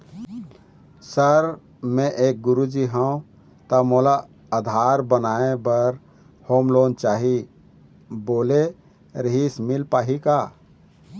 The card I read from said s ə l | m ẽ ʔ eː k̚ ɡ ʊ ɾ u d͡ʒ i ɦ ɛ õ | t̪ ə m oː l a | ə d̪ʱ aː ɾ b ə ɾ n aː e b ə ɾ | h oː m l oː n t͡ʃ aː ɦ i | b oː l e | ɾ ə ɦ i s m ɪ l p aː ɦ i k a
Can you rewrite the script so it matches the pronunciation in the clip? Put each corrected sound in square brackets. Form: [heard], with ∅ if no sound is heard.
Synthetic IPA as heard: s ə [ɾ] | m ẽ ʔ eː k̚ ɡ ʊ ɾ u d͡ʒ i ɦ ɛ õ | t̪ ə m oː l a | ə d̪ʱ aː ɾ b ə [∅] n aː e b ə ɾ | h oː m l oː n t͡ʃ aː ɦ i | b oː l e | ɾ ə ɦ i s m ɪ l p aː ɦ i k a